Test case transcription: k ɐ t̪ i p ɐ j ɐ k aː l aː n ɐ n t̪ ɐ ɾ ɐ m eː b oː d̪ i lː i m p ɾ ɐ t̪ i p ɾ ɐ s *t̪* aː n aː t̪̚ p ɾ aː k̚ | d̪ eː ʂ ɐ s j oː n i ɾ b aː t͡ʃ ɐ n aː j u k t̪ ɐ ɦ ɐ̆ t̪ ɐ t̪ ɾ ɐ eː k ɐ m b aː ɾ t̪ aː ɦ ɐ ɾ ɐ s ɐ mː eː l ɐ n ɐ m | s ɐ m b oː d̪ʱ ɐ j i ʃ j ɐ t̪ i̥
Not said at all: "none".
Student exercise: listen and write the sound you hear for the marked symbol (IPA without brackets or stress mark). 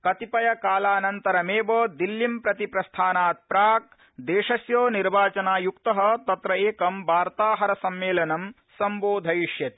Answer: t̪ʰ